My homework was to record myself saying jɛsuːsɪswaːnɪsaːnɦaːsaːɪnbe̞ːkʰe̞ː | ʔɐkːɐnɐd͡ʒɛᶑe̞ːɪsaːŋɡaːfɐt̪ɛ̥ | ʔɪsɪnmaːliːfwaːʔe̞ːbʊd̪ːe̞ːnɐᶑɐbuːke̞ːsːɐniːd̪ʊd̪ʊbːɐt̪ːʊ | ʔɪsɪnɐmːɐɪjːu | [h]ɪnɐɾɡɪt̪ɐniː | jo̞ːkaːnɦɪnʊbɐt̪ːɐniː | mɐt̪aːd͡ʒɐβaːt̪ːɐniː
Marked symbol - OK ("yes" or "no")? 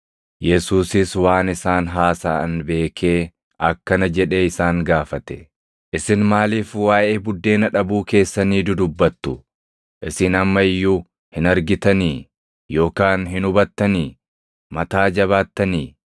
yes